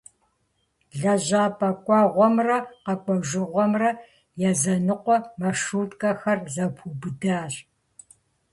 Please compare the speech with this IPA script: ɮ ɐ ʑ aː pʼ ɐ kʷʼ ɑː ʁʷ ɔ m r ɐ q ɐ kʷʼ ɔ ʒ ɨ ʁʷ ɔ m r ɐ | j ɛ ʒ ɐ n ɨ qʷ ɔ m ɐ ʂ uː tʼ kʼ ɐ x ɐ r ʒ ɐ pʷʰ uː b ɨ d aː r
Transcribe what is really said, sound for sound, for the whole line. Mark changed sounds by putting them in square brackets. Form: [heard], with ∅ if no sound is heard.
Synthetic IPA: ɮ ɐ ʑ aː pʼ ɐ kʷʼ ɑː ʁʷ ɔ m r ɐ q ɐ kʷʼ ɔ ʒ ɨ ʁʷ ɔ m r ɐ | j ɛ [z] ɐ n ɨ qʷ ɔ m ɐ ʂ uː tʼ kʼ ɐ x ɐ r [z] ɐ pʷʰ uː b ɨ d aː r